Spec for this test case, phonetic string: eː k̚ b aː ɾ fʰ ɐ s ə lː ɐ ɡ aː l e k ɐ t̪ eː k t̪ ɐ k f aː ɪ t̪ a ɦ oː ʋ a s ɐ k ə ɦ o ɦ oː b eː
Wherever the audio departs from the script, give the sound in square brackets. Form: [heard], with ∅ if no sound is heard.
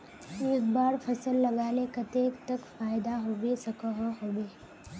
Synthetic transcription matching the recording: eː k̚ b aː ɾ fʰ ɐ s ə lː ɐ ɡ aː l e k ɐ t̪ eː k t̪ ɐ k f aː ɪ [d̪] a ɦ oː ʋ [e] s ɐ k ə ɦ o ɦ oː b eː